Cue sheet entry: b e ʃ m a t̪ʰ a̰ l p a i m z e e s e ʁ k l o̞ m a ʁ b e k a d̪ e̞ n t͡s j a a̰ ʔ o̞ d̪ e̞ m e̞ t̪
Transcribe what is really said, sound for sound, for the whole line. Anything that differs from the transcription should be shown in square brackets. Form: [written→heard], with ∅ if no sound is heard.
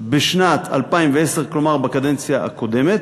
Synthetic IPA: b e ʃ [m→n] a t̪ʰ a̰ l p a i m [z→v] e e s e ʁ k l o̞ m a ʁ b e k a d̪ e̞ n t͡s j a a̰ [ʔ→k] o̞ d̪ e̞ m e̞ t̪